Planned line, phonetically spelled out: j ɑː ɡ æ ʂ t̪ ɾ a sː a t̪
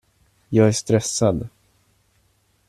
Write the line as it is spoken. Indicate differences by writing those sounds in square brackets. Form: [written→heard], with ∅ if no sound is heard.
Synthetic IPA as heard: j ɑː ɡ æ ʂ t̪ ɾ [a→ɛ] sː a [t̪→d̪]